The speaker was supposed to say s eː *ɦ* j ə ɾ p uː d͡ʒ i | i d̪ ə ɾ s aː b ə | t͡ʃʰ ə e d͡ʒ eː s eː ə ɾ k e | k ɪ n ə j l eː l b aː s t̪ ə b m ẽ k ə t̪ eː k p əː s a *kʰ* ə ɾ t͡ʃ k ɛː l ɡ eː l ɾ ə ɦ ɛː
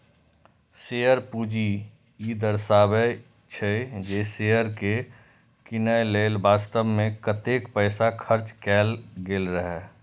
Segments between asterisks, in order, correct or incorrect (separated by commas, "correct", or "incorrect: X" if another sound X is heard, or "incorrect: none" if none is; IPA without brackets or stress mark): incorrect: none, correct